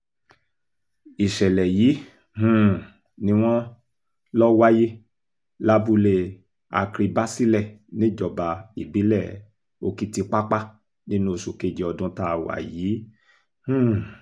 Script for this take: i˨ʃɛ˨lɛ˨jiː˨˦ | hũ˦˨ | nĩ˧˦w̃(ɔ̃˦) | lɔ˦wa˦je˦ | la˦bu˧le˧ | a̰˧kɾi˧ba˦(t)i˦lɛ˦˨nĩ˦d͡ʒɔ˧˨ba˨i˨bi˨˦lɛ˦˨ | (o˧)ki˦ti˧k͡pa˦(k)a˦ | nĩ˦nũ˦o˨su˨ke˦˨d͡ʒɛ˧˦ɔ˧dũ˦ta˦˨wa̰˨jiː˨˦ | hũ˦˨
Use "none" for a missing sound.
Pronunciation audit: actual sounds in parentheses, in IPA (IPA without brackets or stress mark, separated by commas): ɔ̃˦, s, o˧, k͡p